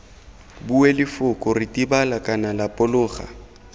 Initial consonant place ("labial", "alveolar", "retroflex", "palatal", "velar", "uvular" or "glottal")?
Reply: labial